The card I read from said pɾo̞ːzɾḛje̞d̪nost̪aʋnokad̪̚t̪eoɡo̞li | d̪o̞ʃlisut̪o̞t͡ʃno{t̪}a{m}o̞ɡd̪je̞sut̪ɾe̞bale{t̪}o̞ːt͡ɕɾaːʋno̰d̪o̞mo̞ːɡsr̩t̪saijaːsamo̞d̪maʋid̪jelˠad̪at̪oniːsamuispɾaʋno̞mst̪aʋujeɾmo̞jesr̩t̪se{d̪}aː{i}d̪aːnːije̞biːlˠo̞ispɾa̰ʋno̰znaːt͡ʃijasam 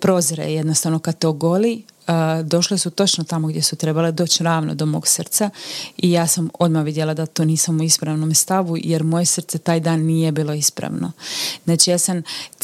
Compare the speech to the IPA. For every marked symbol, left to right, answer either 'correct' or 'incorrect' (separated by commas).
correct, correct, incorrect, incorrect, incorrect